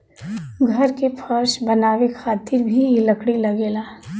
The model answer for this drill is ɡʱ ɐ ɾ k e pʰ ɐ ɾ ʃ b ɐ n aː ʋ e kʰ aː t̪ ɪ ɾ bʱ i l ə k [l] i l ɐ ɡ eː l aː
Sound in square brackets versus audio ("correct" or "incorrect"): incorrect